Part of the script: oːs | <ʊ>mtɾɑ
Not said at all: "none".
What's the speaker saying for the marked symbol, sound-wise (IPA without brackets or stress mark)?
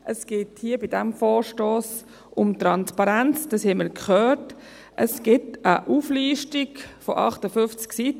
ʊ